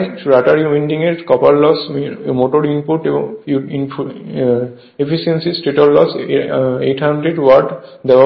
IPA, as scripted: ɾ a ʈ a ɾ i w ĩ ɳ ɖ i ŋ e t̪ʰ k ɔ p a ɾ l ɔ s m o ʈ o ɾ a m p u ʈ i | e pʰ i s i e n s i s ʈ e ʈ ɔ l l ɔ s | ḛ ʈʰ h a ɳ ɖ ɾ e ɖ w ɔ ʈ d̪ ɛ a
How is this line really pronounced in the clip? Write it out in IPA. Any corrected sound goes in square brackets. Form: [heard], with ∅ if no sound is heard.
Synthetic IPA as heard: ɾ a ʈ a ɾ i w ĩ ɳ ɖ i ŋ e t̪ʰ k ɔ p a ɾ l ɔ s m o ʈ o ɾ [i] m p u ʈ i | e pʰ i s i e n s i s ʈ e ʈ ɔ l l ɔ s | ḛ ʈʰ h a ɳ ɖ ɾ e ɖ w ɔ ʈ d̪ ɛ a